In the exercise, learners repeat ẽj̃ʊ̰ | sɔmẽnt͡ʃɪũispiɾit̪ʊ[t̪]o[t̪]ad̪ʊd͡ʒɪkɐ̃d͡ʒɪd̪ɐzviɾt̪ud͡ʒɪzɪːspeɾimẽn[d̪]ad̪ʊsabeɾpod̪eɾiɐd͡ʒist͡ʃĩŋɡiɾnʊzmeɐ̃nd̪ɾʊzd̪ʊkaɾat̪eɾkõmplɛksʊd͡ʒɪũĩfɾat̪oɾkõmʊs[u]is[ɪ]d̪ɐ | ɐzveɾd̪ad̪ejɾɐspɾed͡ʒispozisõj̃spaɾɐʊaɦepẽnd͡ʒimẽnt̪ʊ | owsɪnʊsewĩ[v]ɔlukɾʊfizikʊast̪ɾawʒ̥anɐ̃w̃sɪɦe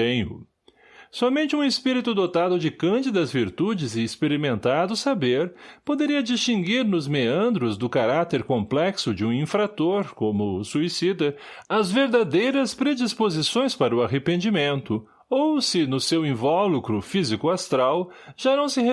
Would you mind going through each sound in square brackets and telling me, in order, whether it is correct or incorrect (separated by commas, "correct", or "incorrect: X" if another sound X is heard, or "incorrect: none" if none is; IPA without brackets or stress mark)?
incorrect: d̪, correct, incorrect: t̪, correct, incorrect: i, correct